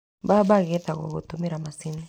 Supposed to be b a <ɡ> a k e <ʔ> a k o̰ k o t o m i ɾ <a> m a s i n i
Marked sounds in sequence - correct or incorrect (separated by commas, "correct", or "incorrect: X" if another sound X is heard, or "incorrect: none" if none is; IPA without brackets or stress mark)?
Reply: incorrect: b, incorrect: t, correct